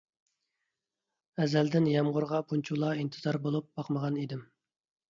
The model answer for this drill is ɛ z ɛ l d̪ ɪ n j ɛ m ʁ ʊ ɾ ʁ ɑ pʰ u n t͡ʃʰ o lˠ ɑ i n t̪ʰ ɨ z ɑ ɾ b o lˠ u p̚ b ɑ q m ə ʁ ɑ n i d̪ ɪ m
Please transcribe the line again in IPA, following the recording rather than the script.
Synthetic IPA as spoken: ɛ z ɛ l d̪ ɪ n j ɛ m ʁ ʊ ɾ ʁ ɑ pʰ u n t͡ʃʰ u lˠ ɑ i n t̪ʰ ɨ z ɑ ɾ b o lˠ u p̚ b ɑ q m ə ʁ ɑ n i d̪ ɪ m